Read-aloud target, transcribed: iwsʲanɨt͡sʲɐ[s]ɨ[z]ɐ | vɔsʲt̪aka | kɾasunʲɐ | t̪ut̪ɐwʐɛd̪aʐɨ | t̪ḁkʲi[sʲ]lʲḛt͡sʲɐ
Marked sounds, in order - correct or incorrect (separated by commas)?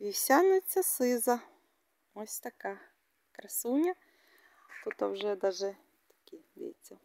correct, correct, incorrect